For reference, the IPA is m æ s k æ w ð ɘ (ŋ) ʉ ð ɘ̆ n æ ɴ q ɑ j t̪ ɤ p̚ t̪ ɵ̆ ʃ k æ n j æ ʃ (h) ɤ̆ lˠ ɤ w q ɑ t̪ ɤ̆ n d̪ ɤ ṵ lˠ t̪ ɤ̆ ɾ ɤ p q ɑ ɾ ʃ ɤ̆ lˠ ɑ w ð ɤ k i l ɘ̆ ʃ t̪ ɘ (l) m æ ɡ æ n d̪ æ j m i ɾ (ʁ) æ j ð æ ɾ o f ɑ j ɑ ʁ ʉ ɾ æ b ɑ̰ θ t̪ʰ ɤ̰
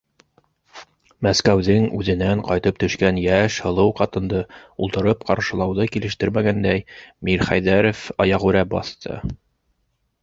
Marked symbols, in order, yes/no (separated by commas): yes, yes, no, no